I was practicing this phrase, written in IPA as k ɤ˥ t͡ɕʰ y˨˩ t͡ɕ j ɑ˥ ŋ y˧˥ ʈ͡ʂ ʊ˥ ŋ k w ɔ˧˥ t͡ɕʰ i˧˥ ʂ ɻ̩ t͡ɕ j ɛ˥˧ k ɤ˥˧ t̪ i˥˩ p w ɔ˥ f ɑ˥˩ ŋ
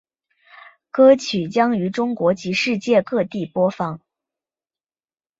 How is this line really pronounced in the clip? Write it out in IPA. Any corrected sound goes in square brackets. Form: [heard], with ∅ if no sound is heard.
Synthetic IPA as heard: k ɤ˥ t͡ɕʰ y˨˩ t͡ɕ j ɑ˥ ŋ y˧˥ ʈ͡ʂ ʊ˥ ŋ k w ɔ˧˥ [t͡ɕ] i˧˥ ʂ ɻ̩ t͡ɕ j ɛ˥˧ k ɤ˥˧ t̪ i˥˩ p w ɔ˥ f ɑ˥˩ ŋ